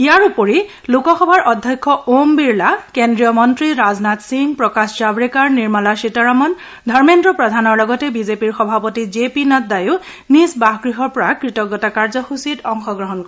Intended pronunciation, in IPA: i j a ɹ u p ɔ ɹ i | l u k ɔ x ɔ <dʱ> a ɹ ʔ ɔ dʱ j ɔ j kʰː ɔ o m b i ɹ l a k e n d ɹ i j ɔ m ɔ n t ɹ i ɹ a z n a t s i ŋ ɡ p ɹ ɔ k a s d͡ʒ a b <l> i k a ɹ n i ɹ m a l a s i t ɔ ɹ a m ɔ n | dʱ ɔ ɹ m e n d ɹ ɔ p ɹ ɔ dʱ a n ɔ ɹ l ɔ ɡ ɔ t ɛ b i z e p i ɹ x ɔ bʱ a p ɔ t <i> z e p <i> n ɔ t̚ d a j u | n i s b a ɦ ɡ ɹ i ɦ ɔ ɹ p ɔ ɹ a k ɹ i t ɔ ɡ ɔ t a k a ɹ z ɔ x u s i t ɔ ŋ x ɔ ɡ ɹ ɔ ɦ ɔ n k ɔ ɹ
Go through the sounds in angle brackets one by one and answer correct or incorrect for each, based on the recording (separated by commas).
incorrect, incorrect, correct, correct